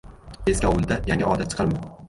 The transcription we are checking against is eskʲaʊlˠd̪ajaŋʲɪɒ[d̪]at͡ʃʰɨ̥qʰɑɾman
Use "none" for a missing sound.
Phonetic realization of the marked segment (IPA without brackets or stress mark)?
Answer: d̪